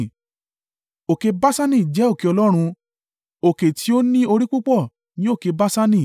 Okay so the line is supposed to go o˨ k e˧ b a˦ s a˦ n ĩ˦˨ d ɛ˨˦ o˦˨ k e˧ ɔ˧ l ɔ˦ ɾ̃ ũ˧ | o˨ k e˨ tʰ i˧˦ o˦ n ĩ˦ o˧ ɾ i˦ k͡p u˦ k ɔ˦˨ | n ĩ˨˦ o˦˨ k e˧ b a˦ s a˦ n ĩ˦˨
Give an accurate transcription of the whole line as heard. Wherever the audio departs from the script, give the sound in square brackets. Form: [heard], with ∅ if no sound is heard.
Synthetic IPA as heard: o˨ k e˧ b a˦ s a˦ n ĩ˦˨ [d͡ʒ] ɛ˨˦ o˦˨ k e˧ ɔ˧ l ɔ˦ ɾ̃ ũ˧ | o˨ k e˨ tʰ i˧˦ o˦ n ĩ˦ o˧ ɾ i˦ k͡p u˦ [k͡p] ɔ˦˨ | n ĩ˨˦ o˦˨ k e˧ b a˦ s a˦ n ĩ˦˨